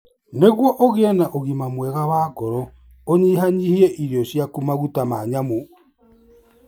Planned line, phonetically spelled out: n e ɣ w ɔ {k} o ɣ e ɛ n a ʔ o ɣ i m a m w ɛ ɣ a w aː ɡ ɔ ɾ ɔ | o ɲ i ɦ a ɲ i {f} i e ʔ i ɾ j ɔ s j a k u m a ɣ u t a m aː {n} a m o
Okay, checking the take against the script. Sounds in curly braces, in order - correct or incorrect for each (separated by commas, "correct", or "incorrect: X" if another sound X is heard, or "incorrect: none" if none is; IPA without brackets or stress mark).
incorrect: ʔ, incorrect: h, incorrect: ɲ